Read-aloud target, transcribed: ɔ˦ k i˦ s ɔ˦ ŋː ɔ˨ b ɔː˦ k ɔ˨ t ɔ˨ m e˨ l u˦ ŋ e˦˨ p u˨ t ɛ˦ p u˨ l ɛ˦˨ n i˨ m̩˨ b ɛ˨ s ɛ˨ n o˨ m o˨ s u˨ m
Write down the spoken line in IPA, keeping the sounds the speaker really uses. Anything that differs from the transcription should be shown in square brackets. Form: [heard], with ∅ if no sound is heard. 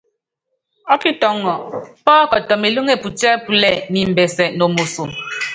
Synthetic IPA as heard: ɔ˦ k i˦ [t] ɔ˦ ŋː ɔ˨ [p] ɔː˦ k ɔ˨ t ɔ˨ m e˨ l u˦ ŋ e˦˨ p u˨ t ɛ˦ p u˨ l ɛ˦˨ n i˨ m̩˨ b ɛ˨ s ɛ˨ n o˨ m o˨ s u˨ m